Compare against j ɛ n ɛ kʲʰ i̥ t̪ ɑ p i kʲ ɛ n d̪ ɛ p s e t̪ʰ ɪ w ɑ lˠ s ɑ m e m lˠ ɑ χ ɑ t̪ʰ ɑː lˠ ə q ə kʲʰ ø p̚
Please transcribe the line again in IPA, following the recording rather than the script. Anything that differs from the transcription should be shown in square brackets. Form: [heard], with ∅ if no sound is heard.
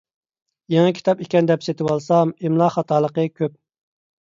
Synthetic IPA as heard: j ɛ [ŋ] ɛ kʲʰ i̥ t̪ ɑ p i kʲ ɛ n d̪ ɛ p s e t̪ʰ ɪ w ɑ lˠ s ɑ m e m lˠ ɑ χ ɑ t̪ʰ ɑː lˠ ə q ə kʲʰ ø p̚